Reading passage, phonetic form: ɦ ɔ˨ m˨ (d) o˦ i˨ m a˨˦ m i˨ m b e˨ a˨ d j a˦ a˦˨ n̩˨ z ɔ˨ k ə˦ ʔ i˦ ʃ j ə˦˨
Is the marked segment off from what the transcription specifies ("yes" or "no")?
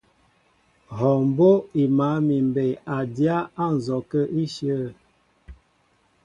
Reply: yes